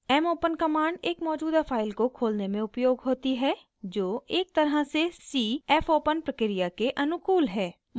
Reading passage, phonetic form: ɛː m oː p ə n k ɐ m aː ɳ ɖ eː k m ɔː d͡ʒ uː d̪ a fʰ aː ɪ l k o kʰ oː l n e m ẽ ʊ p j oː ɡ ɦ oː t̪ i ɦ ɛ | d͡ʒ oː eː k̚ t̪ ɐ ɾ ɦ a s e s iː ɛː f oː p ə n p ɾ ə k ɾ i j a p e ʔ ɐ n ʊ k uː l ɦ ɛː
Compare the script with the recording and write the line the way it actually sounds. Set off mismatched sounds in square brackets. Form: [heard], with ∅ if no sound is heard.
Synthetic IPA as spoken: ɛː m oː p ə n k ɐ m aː ɳ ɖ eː k m ɔː d͡ʒ uː d̪ a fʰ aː ɪ l k o kʰ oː l n e m ẽ ʊ p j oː ɡ ɦ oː t̪ i ɦ ɛ | d͡ʒ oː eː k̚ t̪ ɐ ɾ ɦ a s e s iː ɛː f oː p ə n p ɾ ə k ɾ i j a [k] e ʔ ɐ n ʊ k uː l ɦ ɛː